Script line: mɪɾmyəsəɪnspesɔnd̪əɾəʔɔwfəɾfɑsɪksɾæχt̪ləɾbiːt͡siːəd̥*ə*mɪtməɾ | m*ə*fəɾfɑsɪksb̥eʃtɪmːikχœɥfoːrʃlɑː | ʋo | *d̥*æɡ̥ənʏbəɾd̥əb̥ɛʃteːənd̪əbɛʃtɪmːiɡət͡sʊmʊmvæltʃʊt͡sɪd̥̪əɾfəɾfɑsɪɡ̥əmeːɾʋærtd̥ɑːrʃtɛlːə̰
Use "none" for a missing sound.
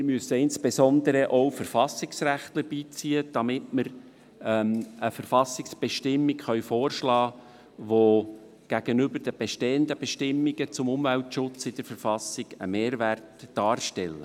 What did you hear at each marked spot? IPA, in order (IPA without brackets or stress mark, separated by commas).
ɑ, ə, ɡ̥